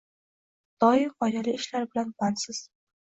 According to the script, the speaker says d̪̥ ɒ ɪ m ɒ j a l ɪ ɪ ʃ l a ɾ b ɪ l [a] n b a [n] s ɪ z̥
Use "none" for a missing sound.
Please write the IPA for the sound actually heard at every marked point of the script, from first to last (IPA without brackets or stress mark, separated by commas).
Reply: a, n